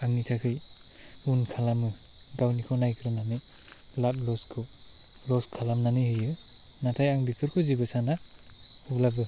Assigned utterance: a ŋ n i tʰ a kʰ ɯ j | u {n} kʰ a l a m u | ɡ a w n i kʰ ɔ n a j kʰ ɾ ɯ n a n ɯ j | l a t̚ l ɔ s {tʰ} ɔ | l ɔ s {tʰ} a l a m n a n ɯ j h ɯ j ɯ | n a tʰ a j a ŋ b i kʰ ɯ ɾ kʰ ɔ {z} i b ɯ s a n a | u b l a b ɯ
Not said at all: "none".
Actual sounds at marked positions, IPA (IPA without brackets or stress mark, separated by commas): n, kʰ, kʰ, z